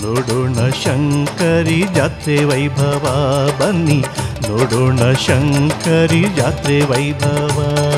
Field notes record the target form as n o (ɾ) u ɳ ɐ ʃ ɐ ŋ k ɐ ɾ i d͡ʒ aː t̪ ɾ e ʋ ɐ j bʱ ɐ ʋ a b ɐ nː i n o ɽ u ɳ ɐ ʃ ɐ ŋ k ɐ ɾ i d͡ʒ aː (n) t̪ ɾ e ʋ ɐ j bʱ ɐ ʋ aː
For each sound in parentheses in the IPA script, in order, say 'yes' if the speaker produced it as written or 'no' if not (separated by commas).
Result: no, no